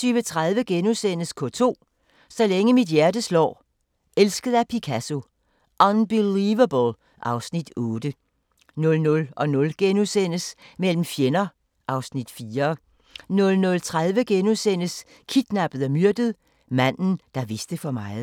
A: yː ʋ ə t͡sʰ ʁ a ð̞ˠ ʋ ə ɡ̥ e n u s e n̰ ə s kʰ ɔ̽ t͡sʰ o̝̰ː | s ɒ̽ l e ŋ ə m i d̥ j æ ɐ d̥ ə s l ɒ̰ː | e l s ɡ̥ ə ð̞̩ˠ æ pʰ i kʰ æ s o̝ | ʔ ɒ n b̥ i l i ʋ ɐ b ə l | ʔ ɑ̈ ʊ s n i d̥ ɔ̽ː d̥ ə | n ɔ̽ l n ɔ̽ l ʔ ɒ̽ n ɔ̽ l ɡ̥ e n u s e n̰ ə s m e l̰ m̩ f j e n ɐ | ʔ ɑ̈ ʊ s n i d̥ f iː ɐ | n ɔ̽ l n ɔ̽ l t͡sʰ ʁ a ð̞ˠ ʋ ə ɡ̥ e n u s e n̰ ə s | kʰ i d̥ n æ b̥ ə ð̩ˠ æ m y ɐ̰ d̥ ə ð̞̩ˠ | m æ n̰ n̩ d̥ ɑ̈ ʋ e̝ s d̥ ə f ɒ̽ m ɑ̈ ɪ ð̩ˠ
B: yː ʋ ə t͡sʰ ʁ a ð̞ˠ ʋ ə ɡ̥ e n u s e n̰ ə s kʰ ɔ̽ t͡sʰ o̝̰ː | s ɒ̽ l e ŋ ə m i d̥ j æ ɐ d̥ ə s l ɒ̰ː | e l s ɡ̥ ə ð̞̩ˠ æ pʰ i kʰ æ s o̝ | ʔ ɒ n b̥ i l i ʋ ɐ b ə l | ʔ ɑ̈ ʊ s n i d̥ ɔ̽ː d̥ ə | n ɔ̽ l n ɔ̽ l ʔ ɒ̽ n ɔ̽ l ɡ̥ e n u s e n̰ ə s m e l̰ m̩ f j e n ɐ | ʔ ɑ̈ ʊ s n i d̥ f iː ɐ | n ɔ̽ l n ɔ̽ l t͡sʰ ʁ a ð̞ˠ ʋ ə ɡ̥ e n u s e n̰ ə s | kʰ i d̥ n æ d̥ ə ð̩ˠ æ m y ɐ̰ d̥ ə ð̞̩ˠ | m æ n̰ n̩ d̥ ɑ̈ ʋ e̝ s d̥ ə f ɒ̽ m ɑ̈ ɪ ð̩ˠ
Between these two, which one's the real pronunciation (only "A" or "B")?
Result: A